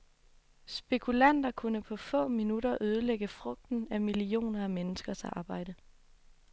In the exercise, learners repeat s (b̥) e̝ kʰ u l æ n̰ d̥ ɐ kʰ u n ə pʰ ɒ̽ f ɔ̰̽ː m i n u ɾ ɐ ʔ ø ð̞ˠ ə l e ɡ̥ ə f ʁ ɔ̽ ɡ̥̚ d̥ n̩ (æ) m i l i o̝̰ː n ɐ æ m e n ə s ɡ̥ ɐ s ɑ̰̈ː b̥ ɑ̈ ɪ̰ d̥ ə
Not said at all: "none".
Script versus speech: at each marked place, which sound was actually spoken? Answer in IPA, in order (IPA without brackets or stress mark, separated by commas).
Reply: b̥, æ